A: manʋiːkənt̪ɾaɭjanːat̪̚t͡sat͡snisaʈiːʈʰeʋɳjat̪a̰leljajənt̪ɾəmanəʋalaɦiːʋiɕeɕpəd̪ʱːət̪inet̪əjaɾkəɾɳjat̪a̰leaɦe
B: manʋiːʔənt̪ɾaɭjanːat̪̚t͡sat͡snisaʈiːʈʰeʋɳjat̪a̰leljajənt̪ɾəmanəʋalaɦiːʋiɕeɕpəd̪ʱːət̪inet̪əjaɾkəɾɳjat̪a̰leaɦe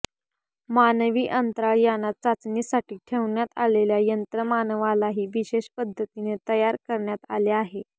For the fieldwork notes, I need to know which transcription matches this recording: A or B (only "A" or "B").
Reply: B